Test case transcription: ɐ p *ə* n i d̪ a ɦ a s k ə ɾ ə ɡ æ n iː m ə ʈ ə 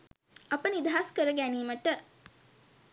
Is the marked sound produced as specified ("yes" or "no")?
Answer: yes